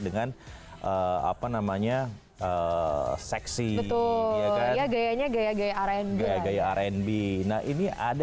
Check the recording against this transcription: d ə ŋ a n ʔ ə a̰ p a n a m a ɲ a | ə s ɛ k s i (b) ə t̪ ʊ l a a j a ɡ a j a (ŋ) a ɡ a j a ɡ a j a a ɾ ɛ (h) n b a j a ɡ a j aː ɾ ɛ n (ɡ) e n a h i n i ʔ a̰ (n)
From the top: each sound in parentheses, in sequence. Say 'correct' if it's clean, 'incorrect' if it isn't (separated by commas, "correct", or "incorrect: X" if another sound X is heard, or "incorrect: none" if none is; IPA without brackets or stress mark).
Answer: correct, incorrect: ɲ, incorrect: none, incorrect: b, incorrect: d